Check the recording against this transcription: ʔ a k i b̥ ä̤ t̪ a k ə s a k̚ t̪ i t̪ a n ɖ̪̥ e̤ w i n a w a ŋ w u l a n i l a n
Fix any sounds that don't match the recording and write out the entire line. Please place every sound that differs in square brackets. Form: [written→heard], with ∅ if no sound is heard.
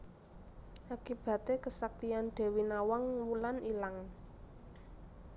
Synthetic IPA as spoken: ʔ a k i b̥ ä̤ t̪ [a→e] k ə s a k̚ t̪ i [t̪→∅] a n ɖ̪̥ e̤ w i n a w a ŋ w u l a n i l a [n→ŋ]